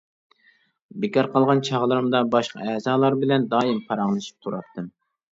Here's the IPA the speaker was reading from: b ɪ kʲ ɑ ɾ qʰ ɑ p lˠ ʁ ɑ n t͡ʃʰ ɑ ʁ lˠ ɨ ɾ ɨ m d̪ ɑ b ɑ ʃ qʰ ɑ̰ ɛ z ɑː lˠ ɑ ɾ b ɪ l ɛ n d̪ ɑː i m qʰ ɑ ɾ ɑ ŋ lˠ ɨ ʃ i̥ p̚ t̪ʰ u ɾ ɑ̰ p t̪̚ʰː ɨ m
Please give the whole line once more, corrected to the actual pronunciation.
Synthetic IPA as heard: b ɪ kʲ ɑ ɾ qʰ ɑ lˠ ʁ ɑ n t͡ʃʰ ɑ ʁ lˠ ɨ ɾ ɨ m d̪ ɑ b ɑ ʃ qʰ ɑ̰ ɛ z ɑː lˠ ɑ ɾ b ɪ l ɛ n d̪ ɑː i m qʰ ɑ ɾ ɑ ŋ lˠ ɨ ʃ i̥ p̚ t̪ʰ u ɾ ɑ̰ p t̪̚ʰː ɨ m